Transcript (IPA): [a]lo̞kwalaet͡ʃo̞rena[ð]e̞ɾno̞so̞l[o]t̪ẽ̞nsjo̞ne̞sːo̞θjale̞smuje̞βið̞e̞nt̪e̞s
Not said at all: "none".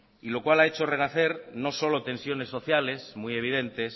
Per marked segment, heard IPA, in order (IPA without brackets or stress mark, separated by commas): i, θ, o